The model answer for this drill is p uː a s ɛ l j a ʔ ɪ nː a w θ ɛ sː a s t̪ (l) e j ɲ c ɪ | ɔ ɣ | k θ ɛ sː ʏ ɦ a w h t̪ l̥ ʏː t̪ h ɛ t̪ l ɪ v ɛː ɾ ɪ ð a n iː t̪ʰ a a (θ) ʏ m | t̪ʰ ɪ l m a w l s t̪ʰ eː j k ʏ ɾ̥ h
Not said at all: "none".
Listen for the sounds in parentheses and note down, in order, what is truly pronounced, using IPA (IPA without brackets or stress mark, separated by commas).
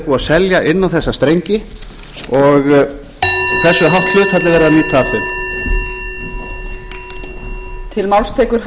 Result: ɾ, θ